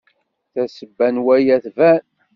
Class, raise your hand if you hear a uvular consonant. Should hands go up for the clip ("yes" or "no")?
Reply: no